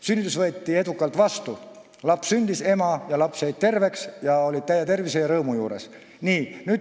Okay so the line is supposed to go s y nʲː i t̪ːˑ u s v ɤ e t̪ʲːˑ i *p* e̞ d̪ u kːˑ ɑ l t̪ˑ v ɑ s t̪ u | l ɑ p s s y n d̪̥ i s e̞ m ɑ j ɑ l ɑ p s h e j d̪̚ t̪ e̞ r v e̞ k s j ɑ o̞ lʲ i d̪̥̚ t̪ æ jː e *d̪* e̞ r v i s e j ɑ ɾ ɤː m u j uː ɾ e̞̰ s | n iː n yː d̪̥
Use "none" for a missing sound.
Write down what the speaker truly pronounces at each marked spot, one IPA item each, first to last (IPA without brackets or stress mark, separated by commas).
none, t̪